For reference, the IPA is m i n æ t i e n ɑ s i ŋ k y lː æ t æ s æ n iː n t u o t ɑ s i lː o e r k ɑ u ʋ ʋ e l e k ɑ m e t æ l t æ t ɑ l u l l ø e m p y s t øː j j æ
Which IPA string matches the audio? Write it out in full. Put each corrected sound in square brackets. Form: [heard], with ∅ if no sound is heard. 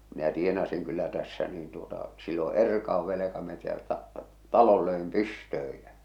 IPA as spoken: m i n æ t i e n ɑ s i ŋ k y lː æ t æ [sː] æ n iː n t u o t ɑ s i lː o e r k ɑ u ʋ ʋ e l e k ɑ m e t æ l t æ t ɑ l [o] l l ø e m p y s t øː j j æ